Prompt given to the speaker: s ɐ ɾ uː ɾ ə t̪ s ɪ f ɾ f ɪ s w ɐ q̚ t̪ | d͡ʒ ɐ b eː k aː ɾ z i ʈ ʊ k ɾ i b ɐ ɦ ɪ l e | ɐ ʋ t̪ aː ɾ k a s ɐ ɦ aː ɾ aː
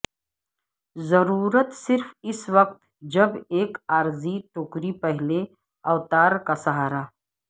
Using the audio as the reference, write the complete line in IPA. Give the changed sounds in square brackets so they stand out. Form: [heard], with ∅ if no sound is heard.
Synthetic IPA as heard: [z] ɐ ɾ uː ɾ ə t̪ s ɪ [∅] ɾ f ɪ s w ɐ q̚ t̪ | d͡ʒ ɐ b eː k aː ɾ z i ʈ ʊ k ɾ i [p] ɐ ɦ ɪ l e | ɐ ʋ t̪ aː ɾ k a s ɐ ɦ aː ɾ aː